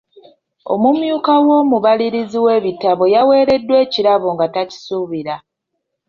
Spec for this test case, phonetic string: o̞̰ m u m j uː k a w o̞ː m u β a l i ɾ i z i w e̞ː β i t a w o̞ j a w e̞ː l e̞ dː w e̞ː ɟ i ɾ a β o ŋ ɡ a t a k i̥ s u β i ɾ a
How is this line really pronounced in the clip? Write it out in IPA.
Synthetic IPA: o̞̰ m u m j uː k a w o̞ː m u β a l i ɾ i z i w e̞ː β i t a β o̞ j a w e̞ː ɾ e̞ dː w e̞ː c i ɾ a β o ŋ ɡ a t a c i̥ s u β i ɾ a